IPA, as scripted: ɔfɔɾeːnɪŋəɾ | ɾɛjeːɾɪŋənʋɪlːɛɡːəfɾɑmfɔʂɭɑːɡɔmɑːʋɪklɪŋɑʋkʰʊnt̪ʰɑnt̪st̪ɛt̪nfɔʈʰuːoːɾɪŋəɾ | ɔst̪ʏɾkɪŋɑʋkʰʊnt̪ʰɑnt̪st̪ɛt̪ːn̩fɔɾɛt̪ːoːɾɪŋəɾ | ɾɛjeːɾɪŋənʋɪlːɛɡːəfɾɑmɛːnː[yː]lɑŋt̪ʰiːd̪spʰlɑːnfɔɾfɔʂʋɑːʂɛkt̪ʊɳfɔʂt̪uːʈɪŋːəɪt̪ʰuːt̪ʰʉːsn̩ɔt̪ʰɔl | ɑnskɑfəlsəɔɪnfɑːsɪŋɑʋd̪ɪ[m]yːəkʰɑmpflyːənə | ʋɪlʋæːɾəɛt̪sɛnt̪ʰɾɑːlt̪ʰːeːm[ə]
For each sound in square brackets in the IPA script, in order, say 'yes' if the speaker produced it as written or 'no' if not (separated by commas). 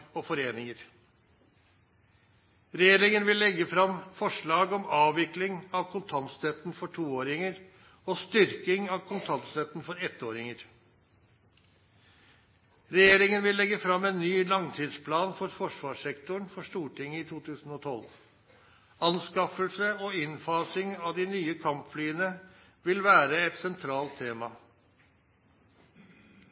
yes, no, no